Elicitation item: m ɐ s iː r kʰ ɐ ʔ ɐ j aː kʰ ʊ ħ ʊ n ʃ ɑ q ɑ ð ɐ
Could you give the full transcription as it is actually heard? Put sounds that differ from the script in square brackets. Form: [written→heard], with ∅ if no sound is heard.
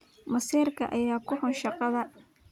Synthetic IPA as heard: m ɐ s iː r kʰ ɐ ʔ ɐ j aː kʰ ʊ ħ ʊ n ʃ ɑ q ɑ ð ɐ